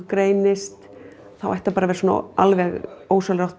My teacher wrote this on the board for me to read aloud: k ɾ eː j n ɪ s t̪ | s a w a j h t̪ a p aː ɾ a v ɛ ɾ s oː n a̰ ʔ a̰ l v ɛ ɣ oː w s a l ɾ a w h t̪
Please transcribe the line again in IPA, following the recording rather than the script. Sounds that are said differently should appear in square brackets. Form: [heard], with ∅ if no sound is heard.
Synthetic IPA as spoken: k ɾ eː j n ɪ s t̪ | [θ] a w a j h t̪ a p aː ɾ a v ɛ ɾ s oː n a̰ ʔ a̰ l v ɛ ɣ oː w s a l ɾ a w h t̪